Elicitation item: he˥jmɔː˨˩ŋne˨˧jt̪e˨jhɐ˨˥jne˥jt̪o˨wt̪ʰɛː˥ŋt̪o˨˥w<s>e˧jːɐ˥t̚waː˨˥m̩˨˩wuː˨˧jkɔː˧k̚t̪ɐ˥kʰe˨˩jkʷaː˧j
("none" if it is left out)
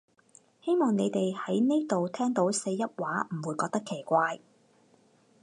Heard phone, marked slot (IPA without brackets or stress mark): s